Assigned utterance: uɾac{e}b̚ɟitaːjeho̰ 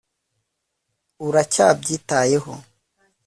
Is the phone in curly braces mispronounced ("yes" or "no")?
yes